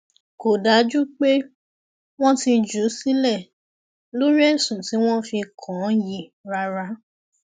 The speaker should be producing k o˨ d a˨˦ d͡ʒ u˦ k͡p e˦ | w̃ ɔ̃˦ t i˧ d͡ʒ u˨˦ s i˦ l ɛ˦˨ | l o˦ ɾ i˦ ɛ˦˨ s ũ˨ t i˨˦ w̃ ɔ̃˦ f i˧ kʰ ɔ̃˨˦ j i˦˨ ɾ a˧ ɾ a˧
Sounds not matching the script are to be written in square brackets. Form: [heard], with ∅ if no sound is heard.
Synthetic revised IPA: k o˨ d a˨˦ d͡ʒ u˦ k͡p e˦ | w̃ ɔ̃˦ t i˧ d͡ʒ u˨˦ s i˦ l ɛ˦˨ | l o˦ ɾ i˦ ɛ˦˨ s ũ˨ t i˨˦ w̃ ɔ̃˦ f i˧ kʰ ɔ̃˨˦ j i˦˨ ɾ a˧ ɾ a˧

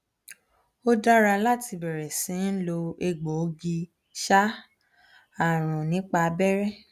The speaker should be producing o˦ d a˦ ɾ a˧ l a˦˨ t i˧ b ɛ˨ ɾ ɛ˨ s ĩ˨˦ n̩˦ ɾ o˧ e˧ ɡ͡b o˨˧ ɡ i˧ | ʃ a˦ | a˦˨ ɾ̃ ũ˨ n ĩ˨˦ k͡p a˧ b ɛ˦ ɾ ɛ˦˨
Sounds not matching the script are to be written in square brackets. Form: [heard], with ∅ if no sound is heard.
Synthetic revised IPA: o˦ d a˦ ɾ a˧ l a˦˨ t i˧ b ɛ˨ ɾ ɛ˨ s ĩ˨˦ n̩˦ [l] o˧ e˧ ɡ͡b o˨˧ ɡ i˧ | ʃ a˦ | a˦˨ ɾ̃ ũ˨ n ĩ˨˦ k͡p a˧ b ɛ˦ ɾ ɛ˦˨

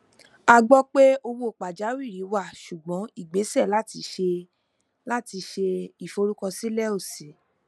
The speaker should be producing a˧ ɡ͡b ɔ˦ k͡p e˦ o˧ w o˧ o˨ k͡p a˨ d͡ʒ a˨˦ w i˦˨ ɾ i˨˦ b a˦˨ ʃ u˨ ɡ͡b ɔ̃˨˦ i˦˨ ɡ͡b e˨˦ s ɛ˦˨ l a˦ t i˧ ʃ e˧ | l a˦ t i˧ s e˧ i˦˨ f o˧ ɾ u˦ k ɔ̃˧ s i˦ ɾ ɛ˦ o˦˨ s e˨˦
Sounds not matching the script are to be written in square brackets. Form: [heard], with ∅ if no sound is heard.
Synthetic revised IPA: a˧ ɡ͡b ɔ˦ k͡p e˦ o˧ w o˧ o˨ k͡p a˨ d͡ʒ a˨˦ w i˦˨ ɾ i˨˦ [w] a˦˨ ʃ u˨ ɡ͡b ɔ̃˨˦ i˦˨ ɡ͡b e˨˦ s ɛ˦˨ l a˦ t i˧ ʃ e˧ | l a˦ t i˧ [ʃ] e˧ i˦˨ f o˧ ɾ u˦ k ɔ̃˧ s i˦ [l] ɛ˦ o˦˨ s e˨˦

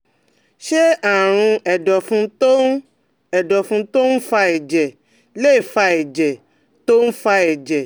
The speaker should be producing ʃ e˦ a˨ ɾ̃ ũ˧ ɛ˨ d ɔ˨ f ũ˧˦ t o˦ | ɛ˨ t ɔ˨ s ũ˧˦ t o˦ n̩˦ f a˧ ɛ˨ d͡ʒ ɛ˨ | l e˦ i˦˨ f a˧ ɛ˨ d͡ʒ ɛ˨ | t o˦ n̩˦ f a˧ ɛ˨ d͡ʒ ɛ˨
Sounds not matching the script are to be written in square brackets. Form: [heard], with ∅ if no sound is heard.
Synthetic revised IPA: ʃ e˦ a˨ ɾ̃ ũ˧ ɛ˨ d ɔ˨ f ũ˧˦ t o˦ | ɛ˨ [d] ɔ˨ [f] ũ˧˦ t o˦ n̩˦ f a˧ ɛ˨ d͡ʒ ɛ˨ | l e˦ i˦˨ f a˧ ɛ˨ d͡ʒ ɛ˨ | t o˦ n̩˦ f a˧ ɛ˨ d͡ʒ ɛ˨

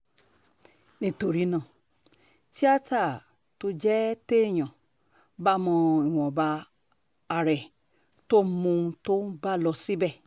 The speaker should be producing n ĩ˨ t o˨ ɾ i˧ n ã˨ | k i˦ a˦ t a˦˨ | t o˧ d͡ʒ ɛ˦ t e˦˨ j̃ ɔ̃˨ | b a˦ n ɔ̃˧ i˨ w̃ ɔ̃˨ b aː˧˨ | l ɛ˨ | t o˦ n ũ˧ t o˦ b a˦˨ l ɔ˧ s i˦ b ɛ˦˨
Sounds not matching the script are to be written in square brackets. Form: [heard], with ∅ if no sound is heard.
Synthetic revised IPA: n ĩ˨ t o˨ ɾ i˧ n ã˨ | [t] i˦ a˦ t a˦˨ | t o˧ d͡ʒ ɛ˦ t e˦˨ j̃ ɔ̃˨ | b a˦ [m] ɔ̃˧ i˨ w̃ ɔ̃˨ b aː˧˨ | [ɾ] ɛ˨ | t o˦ [m] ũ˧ t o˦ b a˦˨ l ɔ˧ s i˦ b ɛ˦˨

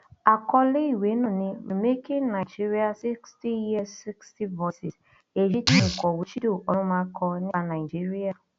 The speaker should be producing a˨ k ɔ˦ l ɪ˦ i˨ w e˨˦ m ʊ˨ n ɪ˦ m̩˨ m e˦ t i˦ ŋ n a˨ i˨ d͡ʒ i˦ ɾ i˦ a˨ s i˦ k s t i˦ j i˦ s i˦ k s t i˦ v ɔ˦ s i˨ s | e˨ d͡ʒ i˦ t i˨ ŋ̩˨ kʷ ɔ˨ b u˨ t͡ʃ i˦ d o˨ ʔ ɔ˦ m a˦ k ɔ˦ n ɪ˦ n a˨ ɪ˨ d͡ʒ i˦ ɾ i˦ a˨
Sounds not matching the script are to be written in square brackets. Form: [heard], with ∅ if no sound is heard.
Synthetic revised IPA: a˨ k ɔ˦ l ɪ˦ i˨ w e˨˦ [n] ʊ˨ n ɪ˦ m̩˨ m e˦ [k] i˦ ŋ n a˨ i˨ d͡ʒ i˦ ɾ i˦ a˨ s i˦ k s t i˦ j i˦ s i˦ k s t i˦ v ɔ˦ s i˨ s | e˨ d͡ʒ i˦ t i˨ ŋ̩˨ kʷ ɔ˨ [w] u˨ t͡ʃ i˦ d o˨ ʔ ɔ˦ m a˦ k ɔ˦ n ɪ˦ n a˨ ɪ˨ d͡ʒ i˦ ɾ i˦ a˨

